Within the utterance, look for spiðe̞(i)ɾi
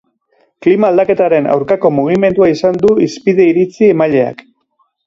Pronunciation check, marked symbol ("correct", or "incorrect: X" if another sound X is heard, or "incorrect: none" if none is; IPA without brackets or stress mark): correct